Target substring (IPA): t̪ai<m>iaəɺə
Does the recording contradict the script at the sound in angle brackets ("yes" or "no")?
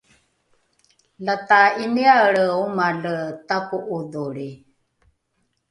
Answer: yes